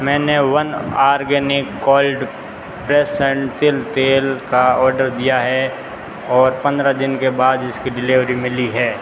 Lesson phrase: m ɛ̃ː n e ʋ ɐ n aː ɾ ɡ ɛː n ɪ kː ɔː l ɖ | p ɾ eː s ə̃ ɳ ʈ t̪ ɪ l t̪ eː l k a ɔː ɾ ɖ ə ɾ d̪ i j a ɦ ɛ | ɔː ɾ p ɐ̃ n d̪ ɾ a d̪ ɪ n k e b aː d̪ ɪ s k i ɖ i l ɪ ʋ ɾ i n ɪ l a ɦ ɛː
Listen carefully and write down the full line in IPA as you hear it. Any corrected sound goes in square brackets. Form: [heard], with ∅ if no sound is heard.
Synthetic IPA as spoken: m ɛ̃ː n e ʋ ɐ n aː ɾ ɡ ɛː n ɪ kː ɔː l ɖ | p ɾ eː s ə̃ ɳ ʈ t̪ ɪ l t̪ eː l k a ɔː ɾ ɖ ə ɾ d̪ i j a ɦ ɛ | ɔː ɾ p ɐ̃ n d̪ ɾ a d̪ ɪ n k e b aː d̪ ɪ s k i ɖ [ɪ] l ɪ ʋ ɾ i [m] ɪ l [i] ɦ ɛː